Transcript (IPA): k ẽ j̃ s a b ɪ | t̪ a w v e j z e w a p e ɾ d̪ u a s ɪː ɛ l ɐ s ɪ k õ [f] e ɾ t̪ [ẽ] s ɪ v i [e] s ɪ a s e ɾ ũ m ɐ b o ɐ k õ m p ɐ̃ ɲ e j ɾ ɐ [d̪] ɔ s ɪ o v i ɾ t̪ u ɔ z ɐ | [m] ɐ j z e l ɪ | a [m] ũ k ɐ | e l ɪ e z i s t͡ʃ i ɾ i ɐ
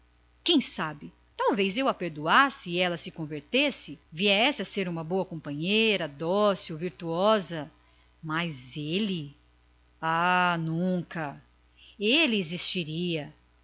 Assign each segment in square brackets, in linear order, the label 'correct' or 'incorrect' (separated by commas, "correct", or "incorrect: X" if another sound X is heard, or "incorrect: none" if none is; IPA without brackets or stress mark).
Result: incorrect: v, incorrect: e, incorrect: ɛ, correct, correct, incorrect: n